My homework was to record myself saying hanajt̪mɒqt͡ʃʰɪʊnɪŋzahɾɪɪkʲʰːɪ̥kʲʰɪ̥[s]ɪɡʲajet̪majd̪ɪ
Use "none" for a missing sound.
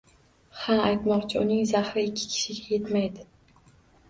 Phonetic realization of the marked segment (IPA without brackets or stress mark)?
ʃ